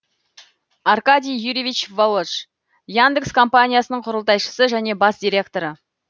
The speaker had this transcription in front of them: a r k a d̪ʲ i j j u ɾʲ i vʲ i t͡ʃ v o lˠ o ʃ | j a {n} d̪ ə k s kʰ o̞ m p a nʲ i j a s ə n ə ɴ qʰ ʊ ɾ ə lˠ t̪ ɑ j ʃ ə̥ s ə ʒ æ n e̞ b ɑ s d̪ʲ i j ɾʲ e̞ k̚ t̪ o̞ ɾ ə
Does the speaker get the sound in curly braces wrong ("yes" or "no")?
no